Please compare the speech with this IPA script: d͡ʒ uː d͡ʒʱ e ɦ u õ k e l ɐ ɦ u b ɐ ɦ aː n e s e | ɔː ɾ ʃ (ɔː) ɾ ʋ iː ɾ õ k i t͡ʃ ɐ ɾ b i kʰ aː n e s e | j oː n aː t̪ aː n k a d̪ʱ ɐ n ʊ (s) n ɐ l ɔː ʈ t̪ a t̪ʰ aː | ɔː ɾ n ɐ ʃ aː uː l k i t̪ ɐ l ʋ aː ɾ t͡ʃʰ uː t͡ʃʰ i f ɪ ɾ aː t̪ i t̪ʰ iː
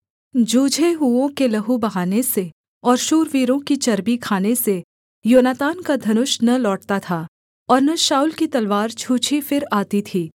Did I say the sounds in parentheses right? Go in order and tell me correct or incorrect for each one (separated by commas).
incorrect, incorrect